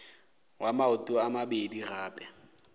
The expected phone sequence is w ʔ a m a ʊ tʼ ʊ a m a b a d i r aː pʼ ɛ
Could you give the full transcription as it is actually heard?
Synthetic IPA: w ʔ a m a ʊ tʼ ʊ a m a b e d i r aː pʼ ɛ